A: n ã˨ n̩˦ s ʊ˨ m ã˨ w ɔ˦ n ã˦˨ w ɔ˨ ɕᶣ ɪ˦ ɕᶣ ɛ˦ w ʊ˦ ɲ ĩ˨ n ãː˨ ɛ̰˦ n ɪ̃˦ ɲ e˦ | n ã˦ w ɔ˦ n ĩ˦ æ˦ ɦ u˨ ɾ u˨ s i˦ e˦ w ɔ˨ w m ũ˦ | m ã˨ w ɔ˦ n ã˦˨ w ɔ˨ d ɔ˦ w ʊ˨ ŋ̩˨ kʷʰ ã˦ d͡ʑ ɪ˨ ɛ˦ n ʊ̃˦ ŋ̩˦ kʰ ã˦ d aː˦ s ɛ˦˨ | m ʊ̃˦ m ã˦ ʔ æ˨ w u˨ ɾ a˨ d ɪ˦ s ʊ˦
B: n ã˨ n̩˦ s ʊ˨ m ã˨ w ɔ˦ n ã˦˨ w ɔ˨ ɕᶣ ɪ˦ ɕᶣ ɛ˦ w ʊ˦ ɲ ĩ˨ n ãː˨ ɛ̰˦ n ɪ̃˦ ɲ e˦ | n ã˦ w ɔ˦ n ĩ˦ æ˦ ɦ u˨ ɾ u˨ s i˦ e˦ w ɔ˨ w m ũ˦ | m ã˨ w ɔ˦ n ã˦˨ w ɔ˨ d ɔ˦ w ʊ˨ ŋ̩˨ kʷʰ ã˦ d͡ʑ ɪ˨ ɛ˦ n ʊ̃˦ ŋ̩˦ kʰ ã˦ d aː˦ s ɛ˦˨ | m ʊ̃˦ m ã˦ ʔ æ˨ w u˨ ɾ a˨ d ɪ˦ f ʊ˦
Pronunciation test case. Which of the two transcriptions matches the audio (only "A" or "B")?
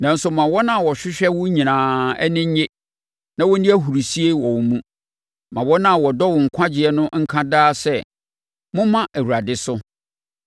A